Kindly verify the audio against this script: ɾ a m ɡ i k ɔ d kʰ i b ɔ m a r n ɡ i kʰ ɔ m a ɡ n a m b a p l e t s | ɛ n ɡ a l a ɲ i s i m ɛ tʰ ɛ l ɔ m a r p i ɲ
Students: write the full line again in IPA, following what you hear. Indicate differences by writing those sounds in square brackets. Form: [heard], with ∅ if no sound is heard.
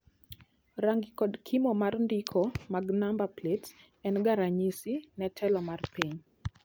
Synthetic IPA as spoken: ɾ a [ŋ] ɡ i k ɔ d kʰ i [m] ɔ m a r n [d] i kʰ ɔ m a ɡ n a m b a p l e t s | ɛ n ɡ a [ɾ] a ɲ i s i [n] ɛ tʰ ɛ l ɔ m a r p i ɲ